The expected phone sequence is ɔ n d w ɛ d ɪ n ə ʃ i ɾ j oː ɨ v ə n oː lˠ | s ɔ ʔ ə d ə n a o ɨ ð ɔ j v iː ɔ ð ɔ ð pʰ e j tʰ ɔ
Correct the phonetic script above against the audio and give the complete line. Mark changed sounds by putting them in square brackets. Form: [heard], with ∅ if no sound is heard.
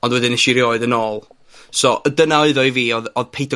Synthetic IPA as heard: ɔ n d w ɛ d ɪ n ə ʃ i ɾ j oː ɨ [ð] ə n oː lˠ | s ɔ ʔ ə d ə n a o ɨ ð ɔ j v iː ɔ ð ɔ ð pʰ e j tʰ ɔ